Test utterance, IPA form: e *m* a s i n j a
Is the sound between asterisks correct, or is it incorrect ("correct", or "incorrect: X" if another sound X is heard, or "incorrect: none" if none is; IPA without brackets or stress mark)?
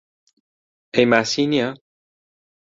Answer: correct